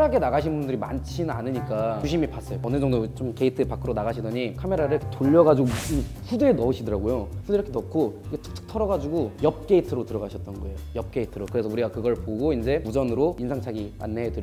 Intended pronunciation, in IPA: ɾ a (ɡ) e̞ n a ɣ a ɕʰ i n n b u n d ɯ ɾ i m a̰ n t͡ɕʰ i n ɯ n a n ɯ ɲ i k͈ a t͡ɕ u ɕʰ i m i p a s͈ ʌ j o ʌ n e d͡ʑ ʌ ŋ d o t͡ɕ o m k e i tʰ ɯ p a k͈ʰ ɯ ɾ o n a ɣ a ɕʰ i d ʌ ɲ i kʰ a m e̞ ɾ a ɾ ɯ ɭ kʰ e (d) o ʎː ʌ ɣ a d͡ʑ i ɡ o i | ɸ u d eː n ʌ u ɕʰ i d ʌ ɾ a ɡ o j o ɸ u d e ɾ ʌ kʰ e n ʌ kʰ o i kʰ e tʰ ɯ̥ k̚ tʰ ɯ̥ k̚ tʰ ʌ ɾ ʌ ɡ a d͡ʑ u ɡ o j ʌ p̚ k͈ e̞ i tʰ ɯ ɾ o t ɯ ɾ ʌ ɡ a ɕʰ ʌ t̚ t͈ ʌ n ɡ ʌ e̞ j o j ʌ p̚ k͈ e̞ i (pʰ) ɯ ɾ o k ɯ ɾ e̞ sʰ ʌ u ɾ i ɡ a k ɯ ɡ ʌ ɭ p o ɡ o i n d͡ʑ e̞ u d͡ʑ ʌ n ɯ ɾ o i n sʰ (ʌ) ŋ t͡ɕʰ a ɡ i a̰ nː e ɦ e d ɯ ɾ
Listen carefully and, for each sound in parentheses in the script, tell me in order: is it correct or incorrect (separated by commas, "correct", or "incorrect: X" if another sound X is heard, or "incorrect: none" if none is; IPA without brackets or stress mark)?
correct, incorrect: t, incorrect: tʰ, incorrect: a